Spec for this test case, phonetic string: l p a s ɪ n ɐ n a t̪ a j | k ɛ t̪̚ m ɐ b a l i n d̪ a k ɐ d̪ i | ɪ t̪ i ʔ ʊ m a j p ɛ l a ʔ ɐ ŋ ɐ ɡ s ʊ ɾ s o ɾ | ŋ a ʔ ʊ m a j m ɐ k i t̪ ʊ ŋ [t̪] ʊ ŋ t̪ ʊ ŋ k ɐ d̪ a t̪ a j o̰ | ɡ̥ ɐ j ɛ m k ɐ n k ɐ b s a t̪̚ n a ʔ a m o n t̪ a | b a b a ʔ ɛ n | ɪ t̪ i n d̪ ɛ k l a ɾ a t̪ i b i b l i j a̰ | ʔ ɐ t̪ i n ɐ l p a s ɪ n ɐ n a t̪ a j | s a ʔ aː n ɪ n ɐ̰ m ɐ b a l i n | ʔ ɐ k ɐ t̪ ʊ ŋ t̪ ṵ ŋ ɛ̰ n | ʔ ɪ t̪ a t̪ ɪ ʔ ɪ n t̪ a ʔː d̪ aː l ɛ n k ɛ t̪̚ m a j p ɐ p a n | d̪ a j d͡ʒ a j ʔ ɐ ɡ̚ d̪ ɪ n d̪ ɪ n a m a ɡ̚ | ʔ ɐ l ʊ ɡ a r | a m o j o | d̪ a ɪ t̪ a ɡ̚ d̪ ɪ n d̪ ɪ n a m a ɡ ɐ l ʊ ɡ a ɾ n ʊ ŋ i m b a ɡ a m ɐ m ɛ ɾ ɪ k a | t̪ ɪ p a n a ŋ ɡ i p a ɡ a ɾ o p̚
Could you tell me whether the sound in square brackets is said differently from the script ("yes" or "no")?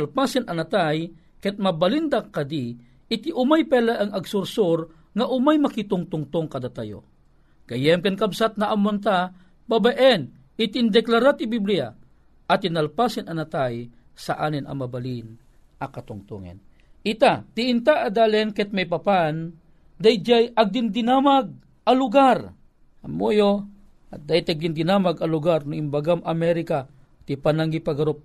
no